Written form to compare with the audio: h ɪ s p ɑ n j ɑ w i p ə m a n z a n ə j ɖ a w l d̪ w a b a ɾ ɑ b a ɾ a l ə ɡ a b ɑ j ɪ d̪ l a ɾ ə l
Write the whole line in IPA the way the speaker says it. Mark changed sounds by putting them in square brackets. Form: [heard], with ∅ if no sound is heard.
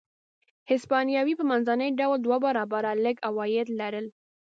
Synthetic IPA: h ɪ s p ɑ n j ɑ w i p ə m a n z a n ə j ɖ a w l d̪ w a b a ɾ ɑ b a ɾ a l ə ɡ a [w] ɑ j ɪ d̪ l a ɾ ə l